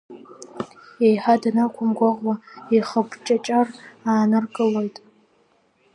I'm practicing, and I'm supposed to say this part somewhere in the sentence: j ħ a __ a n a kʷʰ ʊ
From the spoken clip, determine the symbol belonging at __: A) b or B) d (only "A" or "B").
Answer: B